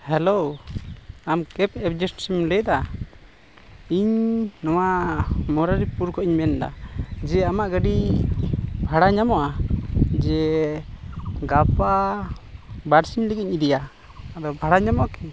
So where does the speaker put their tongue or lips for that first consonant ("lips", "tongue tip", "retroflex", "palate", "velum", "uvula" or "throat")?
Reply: throat